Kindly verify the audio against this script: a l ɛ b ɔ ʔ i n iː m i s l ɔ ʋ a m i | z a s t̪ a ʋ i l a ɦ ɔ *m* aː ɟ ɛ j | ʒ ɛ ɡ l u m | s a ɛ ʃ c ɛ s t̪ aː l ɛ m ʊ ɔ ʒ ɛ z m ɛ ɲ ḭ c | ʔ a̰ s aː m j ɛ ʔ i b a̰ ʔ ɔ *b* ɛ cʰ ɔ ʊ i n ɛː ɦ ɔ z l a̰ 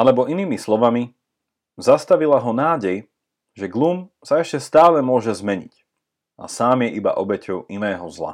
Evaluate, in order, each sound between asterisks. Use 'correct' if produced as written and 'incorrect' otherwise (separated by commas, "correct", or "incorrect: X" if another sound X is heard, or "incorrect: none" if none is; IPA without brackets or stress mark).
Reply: incorrect: n, correct